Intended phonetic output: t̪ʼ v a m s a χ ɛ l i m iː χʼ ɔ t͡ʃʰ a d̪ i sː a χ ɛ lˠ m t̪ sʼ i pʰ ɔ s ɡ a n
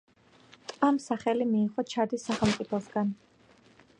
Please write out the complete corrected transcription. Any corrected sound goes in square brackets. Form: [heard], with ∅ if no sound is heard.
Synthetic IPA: t̪ʼ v a m s a χ ɛ l i m iː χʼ ɔ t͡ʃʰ a d̪ i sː a χ ɛ lˠ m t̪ sʼ i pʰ ɔ s ɡ a n